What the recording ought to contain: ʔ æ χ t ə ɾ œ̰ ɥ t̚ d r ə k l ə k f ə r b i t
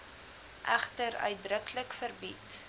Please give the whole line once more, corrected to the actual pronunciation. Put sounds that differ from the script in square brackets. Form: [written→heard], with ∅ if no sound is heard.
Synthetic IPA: ʔ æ χ t ə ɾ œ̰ ɥ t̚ d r ə k l ə k f ə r b i t

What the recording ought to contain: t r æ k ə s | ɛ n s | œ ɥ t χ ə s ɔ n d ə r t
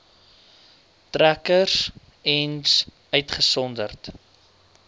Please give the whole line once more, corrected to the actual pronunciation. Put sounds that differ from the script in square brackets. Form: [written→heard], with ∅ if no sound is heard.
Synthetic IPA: t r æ k ə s | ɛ n s | œ ɥ t χ ə s ɔ n d ə r t

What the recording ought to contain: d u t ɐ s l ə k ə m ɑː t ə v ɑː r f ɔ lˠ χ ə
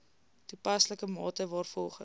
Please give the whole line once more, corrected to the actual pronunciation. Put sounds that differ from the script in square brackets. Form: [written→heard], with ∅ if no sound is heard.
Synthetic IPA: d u [t→p] ɐ s l ə k ə m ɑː t ə v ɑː r f ɔ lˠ χ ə

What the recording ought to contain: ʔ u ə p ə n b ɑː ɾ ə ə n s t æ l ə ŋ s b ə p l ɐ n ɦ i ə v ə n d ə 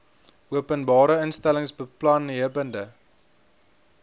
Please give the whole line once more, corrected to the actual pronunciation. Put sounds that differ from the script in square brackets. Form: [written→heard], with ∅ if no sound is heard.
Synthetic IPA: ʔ u ə p ə n b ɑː ɾ ə ə n s t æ l ə ŋ s b ə p l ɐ n ɦ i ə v ə n d ə

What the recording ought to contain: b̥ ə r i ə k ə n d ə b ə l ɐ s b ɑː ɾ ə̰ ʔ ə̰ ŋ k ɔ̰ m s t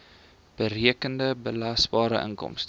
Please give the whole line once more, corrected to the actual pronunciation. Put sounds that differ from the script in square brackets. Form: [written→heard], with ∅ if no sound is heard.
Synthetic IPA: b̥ ə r i ə k ə n d ə b ə l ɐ s b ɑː ɾ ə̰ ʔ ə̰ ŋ k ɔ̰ m s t

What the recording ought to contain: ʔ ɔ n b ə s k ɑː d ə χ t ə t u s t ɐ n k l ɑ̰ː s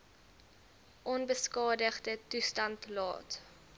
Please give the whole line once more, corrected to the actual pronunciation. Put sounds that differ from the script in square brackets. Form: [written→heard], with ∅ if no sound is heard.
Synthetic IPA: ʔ ɔ n b ə s k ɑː d ə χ [t→d] ə t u s t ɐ n [k→t] l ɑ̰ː [s→t]

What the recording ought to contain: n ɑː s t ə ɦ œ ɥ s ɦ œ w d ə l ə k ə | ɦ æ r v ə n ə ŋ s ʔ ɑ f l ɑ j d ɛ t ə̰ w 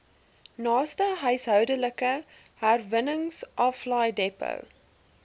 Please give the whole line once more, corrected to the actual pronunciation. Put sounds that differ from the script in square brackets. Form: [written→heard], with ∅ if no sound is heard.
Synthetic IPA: n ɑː s t ə ɦ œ ɥ s ɦ œ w d ə l ə k ə | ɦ æ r v ə n ə ŋ s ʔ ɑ f l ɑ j d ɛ [t→p] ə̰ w

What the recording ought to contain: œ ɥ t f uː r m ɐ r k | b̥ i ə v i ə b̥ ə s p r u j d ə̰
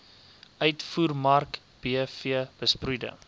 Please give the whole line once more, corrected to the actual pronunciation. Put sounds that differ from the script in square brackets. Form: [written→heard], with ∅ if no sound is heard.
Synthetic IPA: œ ɥ t f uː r m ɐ r k | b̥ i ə [v→f] i ə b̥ ə s p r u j d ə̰

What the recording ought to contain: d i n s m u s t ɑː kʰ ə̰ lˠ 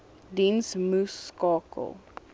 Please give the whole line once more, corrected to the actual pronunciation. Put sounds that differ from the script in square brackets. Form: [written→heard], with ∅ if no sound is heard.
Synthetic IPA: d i n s m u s [t→k] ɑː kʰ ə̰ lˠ

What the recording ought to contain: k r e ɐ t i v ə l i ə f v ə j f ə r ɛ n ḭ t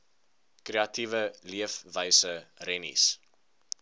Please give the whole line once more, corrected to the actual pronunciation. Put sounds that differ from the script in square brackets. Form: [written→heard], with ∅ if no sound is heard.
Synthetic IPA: k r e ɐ t i v ə l i ə f v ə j [f→s] ə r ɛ n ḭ [t→s]

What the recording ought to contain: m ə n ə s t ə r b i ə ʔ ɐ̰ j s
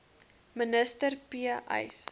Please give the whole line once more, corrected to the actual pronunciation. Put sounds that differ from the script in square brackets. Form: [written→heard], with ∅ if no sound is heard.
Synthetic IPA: m ə n ə s t ə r [b→p] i ə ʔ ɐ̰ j s

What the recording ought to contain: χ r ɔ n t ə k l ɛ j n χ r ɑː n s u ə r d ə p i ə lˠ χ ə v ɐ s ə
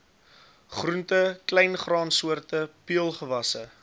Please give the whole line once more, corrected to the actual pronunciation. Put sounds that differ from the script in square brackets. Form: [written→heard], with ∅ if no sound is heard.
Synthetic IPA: χ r [ɔ→u] n t ə k l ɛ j n χ r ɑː n s u ə r [d→t] ə p i ə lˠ χ ə v ɐ s ə

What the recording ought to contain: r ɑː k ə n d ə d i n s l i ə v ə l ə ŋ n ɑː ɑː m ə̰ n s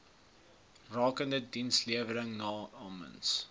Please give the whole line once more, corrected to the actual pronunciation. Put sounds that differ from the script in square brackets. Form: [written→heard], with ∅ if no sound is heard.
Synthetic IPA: r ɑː k ə n d ə d i n s l i ə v ə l ə ŋ n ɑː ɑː m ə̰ n s

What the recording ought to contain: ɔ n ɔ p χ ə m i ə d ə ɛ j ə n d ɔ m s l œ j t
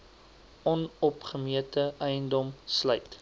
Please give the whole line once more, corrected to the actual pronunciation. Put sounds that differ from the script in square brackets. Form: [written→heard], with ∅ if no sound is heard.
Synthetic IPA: ɔ n ɔ p χ ə m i ə [d→t] ə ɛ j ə n d ɔ m s l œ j t

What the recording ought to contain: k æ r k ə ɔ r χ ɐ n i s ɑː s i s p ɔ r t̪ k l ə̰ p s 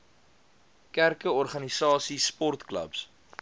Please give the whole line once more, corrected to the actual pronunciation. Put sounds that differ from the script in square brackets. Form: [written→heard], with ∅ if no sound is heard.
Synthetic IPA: k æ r k ə ɔ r χ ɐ n i s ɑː s i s p ɔ r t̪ k l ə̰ p s

